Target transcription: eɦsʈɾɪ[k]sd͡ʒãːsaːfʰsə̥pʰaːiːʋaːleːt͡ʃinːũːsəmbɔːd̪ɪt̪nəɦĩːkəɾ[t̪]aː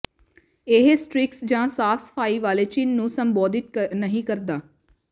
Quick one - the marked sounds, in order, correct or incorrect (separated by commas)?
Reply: correct, incorrect